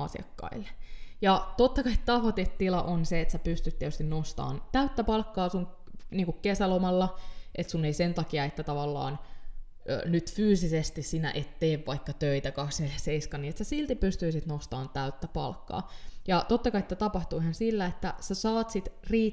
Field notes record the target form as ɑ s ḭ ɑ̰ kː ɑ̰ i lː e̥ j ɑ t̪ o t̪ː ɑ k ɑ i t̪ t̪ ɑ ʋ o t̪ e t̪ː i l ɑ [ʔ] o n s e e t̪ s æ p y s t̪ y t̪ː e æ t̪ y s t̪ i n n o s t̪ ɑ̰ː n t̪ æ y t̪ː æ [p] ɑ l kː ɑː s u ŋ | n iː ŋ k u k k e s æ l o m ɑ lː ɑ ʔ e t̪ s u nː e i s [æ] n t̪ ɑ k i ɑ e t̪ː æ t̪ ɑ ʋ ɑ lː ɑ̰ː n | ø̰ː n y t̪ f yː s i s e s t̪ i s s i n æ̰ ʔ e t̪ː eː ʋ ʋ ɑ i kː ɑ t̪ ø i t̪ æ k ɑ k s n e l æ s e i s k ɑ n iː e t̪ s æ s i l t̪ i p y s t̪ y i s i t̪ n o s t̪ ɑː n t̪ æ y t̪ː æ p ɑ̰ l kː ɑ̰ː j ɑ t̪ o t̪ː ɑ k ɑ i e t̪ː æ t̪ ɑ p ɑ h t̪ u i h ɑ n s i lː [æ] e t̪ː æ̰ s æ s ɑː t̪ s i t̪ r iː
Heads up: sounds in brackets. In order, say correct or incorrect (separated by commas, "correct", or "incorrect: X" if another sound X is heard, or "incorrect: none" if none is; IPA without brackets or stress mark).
correct, correct, incorrect: e, correct